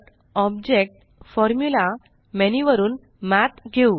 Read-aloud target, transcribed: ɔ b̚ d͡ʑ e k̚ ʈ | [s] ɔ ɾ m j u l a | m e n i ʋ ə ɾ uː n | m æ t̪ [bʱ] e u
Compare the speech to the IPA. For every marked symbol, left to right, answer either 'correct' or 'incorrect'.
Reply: incorrect: f, incorrect: ɡʱ

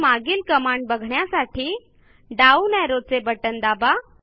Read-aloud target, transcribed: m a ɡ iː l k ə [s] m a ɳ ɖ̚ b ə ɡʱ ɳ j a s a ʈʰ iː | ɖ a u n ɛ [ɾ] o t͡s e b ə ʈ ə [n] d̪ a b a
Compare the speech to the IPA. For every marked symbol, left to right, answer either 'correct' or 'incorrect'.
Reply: incorrect: none, correct, correct

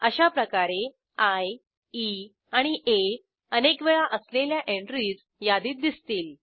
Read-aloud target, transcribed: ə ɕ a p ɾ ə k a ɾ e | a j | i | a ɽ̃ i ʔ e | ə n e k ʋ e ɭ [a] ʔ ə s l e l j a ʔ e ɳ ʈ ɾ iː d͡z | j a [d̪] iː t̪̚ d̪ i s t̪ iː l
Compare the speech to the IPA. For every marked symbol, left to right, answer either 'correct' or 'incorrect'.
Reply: correct, correct

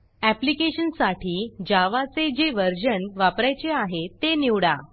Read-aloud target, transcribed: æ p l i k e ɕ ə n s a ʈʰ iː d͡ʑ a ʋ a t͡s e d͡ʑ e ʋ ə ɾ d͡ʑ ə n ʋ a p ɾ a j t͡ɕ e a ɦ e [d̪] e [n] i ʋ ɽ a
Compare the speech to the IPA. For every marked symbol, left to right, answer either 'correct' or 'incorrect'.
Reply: incorrect: t̪, correct

